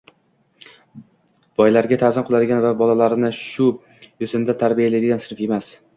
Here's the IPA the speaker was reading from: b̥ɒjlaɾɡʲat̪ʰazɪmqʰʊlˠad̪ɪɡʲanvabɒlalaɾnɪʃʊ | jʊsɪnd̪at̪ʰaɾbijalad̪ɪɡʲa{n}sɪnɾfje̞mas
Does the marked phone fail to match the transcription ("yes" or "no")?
no